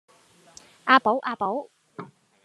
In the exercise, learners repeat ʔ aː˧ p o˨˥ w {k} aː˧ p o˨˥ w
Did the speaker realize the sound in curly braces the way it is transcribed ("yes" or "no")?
no